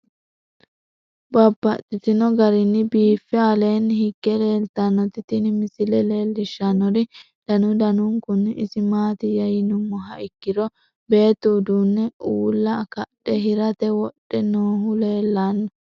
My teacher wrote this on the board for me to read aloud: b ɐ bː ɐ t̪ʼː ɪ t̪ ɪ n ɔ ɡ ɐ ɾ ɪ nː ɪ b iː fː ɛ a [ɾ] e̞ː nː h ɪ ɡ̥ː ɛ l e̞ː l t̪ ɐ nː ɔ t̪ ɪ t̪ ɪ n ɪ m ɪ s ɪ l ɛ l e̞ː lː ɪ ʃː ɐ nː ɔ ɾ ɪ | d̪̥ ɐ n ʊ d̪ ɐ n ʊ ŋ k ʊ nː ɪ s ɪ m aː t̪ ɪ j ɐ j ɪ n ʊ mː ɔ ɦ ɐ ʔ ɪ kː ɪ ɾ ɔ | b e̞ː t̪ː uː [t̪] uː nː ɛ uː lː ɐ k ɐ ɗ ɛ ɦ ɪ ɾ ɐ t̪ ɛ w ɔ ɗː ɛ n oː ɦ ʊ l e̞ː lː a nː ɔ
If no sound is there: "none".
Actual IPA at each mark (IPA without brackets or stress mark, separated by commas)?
l, d̪